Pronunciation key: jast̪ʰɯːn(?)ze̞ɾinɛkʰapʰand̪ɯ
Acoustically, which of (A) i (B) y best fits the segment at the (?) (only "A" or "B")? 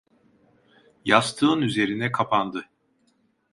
B